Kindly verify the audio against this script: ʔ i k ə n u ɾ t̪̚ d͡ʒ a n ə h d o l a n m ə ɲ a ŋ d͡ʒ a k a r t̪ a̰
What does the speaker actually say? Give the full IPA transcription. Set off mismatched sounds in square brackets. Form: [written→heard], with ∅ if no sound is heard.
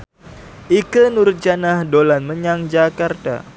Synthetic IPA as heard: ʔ i k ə n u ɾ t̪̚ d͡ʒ a n [ə→a] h d o l a n m ə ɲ a ŋ d͡ʒ a k a r t̪ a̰